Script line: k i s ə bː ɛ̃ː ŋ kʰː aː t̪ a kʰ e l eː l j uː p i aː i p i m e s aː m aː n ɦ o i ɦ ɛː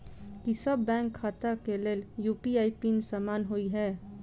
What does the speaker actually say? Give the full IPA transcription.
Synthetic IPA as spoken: k i s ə bː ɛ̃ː ŋ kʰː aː t̪ a k e l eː l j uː p i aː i p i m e s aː m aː n ɦ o i ɦ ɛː

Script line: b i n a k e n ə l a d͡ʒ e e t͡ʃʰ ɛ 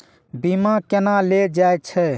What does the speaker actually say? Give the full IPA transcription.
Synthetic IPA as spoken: b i m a k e n a l e d͡ʒ a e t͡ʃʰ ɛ

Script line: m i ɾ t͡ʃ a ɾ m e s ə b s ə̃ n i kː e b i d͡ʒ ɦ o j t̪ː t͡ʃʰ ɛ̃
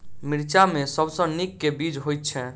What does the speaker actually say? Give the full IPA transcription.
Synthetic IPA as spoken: m i ɾ t͡ʃ a m e s ə b s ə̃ n i kː e b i d͡ʒ ɦ o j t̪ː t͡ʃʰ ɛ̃

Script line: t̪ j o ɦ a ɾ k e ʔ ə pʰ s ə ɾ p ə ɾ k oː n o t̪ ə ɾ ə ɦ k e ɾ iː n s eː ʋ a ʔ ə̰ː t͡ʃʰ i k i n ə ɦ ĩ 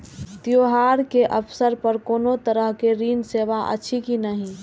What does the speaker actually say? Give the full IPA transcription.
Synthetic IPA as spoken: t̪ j o ɦ a ɾ k e ʔ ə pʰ s ə ɾ p ə ɾ k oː n o t̪ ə ɾ ə ɦ k e ɾ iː n s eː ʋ a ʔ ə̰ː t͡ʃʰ i k i n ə ɦ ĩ

